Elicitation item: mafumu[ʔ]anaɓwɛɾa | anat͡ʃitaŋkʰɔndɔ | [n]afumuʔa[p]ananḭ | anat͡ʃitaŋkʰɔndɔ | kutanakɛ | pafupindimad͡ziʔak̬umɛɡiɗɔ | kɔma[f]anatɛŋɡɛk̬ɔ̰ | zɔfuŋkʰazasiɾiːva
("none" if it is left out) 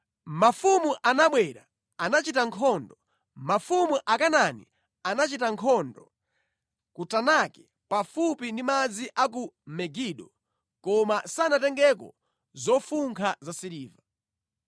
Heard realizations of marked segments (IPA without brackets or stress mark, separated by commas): ʔ, m, k, s